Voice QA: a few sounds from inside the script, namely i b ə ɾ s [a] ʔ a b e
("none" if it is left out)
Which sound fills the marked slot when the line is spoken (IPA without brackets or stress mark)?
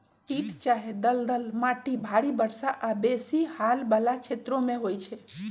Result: a